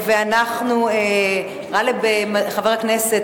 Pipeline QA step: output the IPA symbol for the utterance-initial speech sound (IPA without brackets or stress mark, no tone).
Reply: v